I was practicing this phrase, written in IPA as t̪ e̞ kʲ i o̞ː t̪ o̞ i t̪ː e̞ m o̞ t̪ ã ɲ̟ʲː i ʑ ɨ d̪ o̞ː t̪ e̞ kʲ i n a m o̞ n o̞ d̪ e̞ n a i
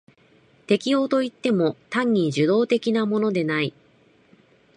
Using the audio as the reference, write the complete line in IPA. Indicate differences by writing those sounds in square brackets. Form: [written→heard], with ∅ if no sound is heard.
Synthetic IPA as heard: t̪ e̞ kʲ i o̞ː t̪ o̞ i t̪ː e̞ m o̞ t̪ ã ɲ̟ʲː i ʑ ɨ d̪ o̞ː t̪ e̞ kʲ i n a m o̞ n o̞ d̪ e̞ n a i